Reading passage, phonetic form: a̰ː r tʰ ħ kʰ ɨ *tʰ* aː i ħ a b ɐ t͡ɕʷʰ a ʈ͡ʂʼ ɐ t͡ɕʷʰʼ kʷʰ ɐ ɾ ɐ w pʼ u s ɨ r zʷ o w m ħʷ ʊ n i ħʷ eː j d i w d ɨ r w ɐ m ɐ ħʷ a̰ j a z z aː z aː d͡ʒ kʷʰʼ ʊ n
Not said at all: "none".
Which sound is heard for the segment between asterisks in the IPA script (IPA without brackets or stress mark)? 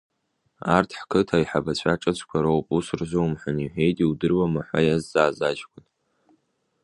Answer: tʰ